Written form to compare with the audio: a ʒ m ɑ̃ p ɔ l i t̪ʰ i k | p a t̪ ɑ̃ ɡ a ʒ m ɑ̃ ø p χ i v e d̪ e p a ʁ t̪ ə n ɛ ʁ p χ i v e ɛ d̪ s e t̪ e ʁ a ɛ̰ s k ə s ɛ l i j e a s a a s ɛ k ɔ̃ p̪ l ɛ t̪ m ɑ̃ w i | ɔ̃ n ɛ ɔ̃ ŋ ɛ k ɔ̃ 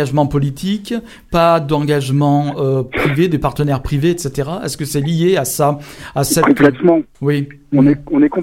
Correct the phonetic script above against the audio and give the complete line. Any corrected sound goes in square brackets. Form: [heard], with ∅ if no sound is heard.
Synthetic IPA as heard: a ʒ m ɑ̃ p ɔ l i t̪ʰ i k | p a [d̪] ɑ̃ ɡ a ʒ m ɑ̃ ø p χ i v e d̪ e p a ʁ t̪ ə n ɛ ʁ p χ i v e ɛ [t̪] s e t̪ e ʁ a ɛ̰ s k ə s ɛ l i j e a s a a s ɛ k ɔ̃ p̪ l ɛ t̪ m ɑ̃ w i | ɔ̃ n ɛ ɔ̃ [n] ɛ k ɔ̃